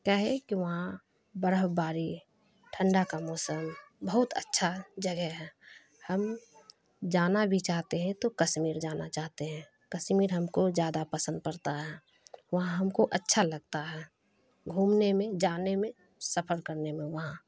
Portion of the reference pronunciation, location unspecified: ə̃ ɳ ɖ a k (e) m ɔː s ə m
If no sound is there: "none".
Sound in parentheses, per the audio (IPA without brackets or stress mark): a